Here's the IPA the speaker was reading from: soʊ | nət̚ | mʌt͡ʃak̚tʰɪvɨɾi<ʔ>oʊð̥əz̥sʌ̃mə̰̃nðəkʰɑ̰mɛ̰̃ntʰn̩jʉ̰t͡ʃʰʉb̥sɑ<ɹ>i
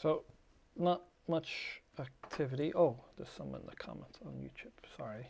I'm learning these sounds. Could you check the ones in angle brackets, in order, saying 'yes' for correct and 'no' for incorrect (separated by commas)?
yes, yes